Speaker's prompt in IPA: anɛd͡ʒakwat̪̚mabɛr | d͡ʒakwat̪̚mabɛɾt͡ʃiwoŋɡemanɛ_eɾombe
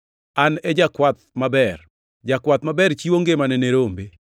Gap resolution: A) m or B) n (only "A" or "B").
B